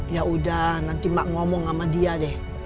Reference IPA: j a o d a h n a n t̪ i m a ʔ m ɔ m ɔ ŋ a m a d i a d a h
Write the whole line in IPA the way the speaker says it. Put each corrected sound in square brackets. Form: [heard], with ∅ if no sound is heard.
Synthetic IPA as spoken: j a [u] d a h n a n t̪ i m a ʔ [ŋ] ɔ m ɔ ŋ a m a d i a d [ɛ] h